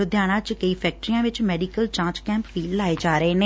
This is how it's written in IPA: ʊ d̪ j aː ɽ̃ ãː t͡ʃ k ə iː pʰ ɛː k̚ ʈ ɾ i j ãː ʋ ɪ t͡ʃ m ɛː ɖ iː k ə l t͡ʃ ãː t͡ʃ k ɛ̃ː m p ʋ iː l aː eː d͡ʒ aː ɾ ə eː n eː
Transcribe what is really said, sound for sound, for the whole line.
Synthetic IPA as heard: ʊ d̪ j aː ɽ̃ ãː t͡ʃ k ə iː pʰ ɛː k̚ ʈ ɾ i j ãː ʋ ɪ t͡ʃ m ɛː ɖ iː k ə l t͡ʃ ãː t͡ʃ k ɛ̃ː m p ʋ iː l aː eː d͡ʒ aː ɾ ə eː n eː